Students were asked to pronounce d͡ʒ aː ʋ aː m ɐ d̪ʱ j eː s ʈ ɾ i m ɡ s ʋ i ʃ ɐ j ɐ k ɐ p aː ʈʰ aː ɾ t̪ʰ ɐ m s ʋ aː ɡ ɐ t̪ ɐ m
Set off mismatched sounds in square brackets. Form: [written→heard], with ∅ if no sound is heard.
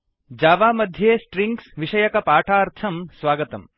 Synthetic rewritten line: d͡ʒ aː ʋ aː m ɐ d̪ʱ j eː s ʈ ɾ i [m→ŋ] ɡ s ʋ i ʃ ɐ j ɐ k ɐ p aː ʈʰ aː ɾ t̪ʰ ɐ m s ʋ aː ɡ ɐ t̪ ɐ m

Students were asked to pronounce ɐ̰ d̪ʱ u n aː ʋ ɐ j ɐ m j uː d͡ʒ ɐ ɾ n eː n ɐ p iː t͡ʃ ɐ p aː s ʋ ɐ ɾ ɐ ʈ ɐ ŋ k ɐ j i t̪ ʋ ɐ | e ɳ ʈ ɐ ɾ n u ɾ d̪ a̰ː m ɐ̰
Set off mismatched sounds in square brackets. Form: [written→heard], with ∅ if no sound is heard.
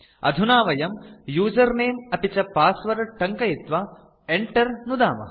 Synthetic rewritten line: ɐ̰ d̪ʱ u n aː ʋ ɐ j ɐ m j uː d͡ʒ ɐ ɾ n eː [n→m] ɐ p [iː→i] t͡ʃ ɐ p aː s ʋ ɐ ɾ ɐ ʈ ɐ ŋ k ɐ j i t̪ ʋ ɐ | e ɳ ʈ ɐ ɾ n u [ɾ→∅] d̪ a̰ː m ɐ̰

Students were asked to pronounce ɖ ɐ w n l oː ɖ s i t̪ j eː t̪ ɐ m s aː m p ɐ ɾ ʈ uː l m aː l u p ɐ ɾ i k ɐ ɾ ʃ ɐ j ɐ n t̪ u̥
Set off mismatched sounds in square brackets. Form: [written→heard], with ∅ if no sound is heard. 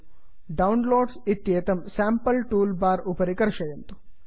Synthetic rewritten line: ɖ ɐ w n l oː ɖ s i t̪ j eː t̪ ɐ m s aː m p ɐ [ɾ→l] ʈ uː l [m→b] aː [l→ɾ] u p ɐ ɾ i k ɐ ɾ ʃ ɐ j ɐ n t̪ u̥

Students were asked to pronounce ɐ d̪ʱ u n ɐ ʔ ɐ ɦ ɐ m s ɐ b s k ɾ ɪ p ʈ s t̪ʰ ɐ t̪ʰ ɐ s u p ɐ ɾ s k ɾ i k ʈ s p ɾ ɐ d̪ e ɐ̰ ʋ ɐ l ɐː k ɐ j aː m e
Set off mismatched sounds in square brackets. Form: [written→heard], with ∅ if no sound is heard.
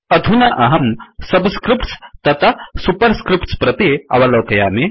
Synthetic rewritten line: ɐ d̪ʱ u n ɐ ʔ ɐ ɦ ɐ m s ɐ b s k ɾ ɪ p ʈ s [t̪ʰ→t̪] ɐ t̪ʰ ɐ s u p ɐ ɾ s k ɾ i [k→p] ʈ s p ɾ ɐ [d̪→t̪] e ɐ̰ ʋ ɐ l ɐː k ɐ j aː m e

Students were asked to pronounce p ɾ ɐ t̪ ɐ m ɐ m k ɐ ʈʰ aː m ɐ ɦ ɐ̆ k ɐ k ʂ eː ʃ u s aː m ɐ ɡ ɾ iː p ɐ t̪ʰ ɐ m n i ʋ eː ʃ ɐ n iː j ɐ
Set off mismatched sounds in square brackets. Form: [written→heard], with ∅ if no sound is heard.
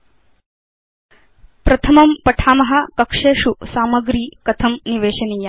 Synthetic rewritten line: p ɾ ɐ [t̪→t̪ʰ] ɐ m ɐ m [k→p] ɐ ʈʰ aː m ɐ ɦ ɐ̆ k ɐ k ʂ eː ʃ u s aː m ɐ ɡ ɾ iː [p→k] ɐ t̪ʰ ɐ m n i ʋ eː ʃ ɐ n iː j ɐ

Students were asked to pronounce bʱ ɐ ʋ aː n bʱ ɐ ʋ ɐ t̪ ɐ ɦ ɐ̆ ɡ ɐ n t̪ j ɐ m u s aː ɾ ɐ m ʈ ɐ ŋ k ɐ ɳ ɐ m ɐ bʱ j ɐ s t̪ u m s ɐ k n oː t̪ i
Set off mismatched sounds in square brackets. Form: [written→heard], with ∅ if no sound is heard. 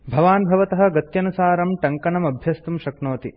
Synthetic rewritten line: bʱ ɐ ʋ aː n bʱ ɐ ʋ ɐ t̪ ɐ ɦ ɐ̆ ɡ ɐ [n→∅] t̪ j ɐ [m→n] u s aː ɾ ɐ m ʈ ɐ ŋ k ɐ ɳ ɐ m ɐ bʱ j ɐ s t̪ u m [s→ʃ] ɐ k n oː t̪ i

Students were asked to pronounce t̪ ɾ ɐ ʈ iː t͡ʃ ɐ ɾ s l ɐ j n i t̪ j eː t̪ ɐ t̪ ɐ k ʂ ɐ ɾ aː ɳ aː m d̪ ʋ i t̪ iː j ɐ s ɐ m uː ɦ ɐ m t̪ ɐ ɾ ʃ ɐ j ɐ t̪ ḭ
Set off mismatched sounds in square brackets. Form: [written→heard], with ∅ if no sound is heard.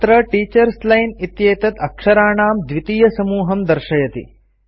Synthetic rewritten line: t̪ ɾ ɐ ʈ iː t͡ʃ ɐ ɾ s l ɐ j n i t̪ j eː t̪ ɐ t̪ ɐ k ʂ ɐ ɾ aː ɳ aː m d̪ ʋ i t̪ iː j ɐ s ɐ m uː ɦ ɐ m [t̪→d̪] ɐ ɾ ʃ ɐ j ɐ t̪ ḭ

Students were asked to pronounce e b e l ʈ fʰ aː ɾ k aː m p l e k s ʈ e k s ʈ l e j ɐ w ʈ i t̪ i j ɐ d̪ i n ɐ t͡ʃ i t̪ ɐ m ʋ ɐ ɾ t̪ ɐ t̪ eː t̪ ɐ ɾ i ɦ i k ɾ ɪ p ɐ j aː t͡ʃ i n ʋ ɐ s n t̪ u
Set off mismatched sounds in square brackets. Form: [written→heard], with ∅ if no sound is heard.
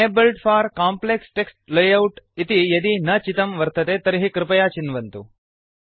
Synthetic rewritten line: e b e l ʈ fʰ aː ɾ k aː m p l e k s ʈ e k s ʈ l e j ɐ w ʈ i t̪ i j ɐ d̪ i n ɐ t͡ʃ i t̪ ɐ m ʋ ɐ ɾ t̪ ɐ t̪ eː t̪ ɐ ɾ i ɦ i k ɾ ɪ p ɐ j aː t͡ʃ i n ʋ ɐ [s→∅] n t̪ u

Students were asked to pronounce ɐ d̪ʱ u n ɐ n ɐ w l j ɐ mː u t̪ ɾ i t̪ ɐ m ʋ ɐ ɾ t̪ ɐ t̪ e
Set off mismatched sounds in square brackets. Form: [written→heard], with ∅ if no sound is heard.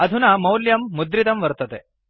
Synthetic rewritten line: ɐ d̪ʱ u n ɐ [n→m] ɐ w l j ɐ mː u [t̪→d̪] ɾ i t̪ ɐ m ʋ ɐ ɾ t̪ ɐ t̪ e

